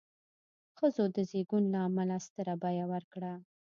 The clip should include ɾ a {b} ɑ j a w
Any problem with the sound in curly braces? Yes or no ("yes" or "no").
no